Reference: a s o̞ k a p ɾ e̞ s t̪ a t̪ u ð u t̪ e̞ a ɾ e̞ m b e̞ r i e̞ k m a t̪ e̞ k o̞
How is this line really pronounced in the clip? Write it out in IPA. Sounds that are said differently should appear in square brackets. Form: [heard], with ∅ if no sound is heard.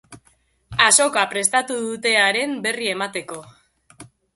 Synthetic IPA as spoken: a s o̞ k a p ɾ e̞ s t̪ a t̪ u ð u t̪ e̞ a ɾ e̞ m b e̞ r i e̞ [∅] m a t̪ e̞ k o̞